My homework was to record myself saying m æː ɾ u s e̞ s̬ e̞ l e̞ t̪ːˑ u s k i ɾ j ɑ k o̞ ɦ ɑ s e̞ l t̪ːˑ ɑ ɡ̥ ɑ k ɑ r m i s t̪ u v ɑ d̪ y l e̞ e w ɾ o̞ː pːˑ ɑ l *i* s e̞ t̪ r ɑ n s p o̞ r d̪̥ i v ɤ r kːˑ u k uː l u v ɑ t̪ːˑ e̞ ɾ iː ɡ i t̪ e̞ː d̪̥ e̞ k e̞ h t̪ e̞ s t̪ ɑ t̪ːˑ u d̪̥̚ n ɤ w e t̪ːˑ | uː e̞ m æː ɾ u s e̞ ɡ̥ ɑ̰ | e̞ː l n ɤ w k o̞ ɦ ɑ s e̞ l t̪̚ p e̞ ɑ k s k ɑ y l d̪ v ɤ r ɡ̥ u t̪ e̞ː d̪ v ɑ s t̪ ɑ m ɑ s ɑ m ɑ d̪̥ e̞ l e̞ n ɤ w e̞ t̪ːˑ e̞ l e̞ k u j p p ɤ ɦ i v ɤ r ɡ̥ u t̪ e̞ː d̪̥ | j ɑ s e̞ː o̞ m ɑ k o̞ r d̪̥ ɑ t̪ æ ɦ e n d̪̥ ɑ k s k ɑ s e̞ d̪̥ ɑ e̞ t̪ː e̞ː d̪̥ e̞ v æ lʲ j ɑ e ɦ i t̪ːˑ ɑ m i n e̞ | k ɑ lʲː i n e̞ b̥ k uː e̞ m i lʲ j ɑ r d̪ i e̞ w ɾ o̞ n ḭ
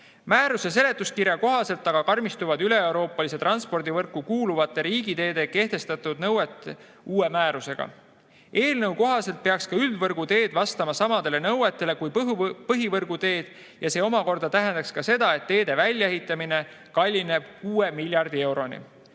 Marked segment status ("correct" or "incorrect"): correct